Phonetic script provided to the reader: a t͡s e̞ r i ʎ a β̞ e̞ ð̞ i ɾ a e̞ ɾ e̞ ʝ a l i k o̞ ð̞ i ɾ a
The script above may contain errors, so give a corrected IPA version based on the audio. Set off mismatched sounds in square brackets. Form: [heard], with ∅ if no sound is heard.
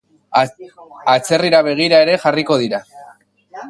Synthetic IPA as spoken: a t͡s e̞ r i [ɾ] a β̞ e̞ [ɣ̞] i ɾ a e̞ ɾ e̞ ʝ a [r] i k o̞ ð̞ i ɾ a